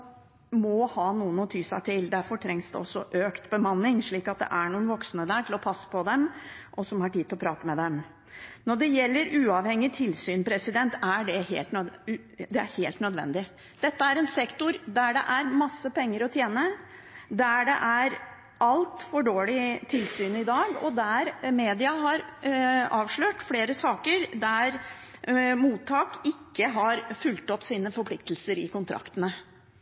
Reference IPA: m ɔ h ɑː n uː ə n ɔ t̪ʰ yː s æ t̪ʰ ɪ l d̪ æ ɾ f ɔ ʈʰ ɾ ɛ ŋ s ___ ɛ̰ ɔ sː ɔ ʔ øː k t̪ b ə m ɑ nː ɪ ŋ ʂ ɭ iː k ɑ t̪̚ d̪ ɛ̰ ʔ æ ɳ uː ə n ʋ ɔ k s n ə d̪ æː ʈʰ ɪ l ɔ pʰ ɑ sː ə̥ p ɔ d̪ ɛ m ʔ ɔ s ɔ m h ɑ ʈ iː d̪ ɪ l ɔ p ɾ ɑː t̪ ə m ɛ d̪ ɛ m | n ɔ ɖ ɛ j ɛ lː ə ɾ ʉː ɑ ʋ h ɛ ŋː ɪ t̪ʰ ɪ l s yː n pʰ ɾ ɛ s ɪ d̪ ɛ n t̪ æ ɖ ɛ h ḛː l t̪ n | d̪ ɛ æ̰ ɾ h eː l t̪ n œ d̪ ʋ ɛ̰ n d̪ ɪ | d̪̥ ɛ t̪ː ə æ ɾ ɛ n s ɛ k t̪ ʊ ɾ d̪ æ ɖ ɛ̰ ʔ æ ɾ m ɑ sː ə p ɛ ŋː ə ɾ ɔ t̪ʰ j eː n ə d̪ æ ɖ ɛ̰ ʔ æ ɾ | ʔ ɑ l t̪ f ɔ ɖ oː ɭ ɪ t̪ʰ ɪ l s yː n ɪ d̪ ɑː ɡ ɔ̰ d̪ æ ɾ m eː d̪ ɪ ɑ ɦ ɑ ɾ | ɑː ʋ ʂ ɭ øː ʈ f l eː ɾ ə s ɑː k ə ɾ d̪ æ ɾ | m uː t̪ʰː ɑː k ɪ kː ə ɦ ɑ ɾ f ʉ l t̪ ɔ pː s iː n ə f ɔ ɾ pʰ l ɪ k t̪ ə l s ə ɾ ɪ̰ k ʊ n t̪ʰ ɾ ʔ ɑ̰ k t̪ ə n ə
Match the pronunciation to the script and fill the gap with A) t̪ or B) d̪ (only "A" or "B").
B